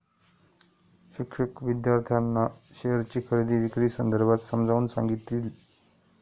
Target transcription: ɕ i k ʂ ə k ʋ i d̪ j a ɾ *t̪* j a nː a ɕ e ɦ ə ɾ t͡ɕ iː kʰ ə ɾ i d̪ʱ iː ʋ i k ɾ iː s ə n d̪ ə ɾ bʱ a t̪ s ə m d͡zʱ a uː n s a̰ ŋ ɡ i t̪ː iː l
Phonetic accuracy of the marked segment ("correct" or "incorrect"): incorrect